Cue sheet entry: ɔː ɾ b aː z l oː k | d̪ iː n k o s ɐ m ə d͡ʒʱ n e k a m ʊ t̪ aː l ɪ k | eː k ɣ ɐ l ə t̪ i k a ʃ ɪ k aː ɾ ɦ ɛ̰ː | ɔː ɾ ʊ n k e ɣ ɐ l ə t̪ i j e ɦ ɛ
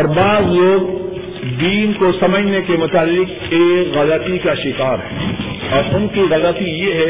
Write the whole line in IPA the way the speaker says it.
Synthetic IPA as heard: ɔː ɾ b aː z l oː ɡ | d̪ iː n k o s ɐ m ə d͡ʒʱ n e k e m ʊ t̪ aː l ɪ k | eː k ɣ ɐ l ə t̪ i k a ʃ ɪ k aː ɾ ɦ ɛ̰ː | ɔː ɾ ʊ n k i ɣ ɐ l ə t̪ i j e ɦ ɛ